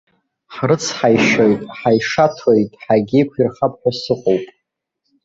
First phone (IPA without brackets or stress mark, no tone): ħ